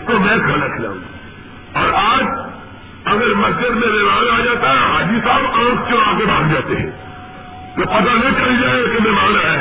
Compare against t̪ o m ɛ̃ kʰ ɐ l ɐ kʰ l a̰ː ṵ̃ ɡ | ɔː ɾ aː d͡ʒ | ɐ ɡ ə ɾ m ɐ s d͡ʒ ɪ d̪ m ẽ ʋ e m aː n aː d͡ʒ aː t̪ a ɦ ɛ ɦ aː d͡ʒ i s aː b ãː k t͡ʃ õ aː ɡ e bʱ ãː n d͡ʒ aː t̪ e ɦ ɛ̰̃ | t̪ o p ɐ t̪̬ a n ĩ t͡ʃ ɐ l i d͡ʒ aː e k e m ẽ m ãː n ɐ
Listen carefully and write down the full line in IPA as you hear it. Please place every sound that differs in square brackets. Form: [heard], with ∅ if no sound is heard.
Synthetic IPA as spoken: t̪ o m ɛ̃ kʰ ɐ l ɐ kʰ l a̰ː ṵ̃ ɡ | ɔː ɾ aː d͡ʒ | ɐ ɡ ə ɾ m ɐ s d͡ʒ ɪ d̪ m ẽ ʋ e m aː n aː d͡ʒ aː t̪ a ɦ ɛ ɦ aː d͡ʒ i s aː b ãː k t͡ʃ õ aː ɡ e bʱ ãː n d͡ʒ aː t̪ e ɦ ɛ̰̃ | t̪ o p ɐ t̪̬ a n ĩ t͡ʃ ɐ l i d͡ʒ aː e k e m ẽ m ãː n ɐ